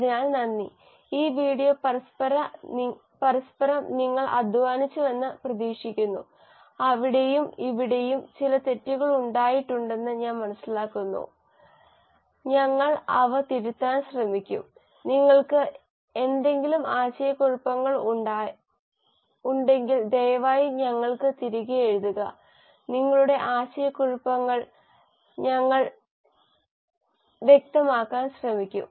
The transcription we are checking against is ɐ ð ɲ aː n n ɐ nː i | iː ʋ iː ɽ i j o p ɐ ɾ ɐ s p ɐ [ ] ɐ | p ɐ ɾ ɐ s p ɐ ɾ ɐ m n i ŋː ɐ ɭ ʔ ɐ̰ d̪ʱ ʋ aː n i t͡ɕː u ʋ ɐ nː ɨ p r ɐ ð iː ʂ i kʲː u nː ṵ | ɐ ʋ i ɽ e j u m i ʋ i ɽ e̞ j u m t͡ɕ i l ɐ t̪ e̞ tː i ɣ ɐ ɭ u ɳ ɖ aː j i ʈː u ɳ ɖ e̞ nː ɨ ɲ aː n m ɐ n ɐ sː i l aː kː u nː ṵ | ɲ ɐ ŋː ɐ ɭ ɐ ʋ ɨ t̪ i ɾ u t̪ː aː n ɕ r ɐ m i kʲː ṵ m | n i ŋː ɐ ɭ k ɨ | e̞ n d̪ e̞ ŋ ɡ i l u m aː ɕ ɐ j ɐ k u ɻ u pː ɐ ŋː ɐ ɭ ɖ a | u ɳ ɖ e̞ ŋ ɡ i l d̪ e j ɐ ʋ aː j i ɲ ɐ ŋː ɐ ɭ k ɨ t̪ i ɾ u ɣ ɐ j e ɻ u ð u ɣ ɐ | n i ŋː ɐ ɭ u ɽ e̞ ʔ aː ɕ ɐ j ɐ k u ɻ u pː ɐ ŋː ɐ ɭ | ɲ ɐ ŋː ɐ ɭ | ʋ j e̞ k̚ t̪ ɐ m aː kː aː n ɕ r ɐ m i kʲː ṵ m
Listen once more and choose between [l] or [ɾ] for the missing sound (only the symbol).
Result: ɾ